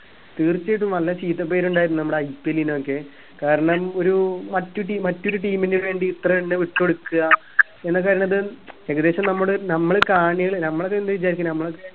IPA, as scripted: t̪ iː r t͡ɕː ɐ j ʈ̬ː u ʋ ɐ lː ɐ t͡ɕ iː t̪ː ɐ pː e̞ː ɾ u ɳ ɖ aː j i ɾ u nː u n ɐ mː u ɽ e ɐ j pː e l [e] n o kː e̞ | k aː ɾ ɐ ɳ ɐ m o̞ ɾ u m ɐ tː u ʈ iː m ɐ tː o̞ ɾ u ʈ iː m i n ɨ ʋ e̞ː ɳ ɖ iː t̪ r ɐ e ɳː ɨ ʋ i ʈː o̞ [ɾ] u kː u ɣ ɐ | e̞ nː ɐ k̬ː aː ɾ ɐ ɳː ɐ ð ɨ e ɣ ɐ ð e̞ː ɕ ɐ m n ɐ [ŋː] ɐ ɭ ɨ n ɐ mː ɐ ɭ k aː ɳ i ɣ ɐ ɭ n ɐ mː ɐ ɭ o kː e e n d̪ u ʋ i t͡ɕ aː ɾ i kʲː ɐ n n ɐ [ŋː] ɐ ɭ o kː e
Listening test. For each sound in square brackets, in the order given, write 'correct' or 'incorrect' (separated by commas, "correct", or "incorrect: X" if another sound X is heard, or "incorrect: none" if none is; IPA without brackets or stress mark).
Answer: incorrect: i, incorrect: ɽ, incorrect: mː, incorrect: mː